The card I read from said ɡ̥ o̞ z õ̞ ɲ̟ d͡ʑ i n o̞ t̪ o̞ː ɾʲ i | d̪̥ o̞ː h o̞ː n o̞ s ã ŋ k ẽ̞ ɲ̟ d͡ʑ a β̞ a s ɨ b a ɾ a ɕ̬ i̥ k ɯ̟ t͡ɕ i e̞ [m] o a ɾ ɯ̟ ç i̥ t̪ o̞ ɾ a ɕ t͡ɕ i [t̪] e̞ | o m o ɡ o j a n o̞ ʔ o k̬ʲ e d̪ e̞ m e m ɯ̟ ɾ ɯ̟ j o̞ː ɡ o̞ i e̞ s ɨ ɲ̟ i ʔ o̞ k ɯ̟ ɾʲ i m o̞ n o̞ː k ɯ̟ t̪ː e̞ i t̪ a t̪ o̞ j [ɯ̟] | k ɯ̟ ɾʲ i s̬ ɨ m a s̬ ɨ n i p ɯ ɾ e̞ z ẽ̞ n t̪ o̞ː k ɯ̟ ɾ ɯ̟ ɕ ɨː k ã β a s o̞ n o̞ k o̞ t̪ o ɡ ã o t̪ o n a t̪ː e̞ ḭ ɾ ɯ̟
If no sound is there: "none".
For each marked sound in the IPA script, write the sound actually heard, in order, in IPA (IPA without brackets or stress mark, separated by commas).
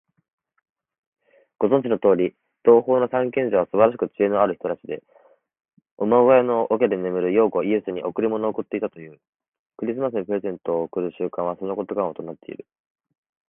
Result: n, d̪, ɯ̟ː